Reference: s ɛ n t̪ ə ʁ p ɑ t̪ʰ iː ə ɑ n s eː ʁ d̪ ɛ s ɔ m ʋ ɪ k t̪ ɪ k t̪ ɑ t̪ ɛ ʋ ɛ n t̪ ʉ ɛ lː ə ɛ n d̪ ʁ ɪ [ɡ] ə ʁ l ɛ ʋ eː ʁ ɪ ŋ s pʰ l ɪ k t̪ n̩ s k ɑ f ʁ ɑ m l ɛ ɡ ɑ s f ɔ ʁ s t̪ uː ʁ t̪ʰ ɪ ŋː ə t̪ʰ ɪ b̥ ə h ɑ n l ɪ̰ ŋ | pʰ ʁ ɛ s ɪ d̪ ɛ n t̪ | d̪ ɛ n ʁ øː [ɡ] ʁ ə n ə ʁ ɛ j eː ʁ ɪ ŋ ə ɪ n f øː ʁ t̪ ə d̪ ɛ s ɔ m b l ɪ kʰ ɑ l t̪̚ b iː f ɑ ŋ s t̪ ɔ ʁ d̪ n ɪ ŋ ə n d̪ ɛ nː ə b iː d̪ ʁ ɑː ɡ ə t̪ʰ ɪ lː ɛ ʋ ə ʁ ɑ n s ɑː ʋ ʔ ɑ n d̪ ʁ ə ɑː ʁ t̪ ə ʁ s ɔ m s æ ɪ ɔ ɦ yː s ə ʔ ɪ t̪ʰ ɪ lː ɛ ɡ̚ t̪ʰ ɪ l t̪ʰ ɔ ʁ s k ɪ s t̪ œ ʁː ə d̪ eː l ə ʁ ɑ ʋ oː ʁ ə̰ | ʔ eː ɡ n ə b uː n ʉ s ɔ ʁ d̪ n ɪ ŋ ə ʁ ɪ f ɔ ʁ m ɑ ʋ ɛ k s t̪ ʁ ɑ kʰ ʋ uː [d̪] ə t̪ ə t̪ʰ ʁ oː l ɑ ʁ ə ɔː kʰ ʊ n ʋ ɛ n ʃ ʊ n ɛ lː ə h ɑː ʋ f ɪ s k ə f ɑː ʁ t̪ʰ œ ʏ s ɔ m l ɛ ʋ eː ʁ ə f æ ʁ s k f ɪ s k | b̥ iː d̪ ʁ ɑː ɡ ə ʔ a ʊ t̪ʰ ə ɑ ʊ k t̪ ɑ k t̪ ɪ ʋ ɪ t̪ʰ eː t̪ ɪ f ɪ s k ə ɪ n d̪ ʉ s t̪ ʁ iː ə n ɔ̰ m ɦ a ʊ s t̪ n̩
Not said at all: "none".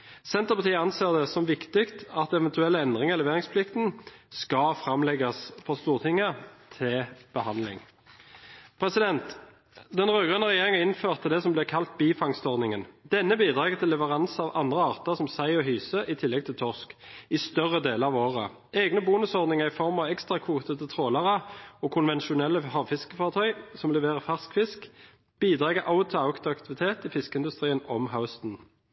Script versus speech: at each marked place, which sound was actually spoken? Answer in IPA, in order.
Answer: ŋ, ɡ, t̪

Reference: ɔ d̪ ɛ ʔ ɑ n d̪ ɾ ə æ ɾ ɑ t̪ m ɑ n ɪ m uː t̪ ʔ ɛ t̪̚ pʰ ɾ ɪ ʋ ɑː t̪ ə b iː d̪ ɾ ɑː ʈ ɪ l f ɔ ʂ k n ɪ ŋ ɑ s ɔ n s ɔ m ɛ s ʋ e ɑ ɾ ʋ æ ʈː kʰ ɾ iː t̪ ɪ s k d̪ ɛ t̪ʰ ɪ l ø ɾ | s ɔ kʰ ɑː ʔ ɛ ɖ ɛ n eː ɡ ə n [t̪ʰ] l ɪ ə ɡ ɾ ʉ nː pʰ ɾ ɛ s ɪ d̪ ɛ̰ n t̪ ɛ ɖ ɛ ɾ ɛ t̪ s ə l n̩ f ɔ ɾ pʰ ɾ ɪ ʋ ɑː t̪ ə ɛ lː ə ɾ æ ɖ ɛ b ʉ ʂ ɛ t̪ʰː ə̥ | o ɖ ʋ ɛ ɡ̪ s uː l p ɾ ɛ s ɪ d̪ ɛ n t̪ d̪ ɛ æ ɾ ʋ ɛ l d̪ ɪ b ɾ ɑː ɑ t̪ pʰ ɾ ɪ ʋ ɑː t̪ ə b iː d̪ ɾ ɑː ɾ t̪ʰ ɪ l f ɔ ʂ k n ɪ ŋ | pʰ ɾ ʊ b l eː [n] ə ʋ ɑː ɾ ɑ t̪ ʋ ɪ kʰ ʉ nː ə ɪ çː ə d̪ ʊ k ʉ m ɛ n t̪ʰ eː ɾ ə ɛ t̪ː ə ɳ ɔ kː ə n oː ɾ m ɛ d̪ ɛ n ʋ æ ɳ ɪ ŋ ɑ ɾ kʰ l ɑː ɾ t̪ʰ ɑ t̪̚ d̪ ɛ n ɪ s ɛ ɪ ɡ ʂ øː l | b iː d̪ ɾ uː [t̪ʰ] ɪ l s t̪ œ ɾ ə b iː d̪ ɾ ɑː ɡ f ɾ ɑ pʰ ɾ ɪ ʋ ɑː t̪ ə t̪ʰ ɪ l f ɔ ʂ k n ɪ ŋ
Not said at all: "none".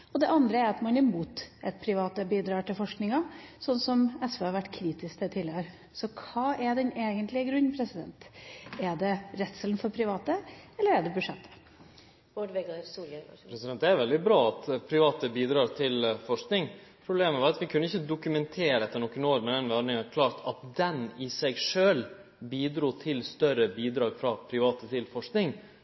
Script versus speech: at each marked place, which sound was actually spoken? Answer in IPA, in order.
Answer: t̪, m, t̪ʰ

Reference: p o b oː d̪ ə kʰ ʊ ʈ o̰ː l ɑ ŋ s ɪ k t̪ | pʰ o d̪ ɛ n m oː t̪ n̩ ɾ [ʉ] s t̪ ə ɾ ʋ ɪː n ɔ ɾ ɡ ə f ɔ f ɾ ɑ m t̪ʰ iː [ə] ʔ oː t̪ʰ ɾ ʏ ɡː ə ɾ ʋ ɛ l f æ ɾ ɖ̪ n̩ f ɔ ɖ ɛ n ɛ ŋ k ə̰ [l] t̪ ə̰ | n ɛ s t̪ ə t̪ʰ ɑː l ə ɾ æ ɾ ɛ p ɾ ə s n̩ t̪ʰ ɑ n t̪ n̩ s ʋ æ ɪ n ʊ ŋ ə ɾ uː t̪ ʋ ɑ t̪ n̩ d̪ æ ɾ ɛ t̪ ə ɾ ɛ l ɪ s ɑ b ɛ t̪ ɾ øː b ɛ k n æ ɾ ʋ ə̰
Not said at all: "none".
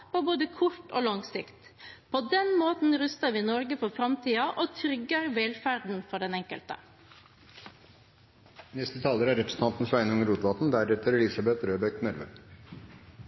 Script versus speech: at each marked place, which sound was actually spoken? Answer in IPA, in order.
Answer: ʉ, ɑ, l

